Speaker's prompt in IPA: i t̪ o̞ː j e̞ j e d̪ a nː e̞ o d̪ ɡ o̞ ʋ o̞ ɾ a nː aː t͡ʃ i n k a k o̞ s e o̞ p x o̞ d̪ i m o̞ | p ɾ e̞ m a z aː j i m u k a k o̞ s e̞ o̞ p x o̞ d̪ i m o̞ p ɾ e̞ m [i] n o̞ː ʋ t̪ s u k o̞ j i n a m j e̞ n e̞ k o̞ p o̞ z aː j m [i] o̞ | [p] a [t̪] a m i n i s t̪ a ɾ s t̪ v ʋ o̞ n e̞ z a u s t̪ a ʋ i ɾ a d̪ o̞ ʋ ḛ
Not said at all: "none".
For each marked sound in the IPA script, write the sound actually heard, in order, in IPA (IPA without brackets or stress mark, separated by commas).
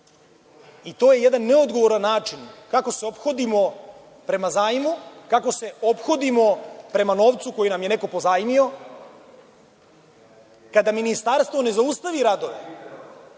a, i, k, d̪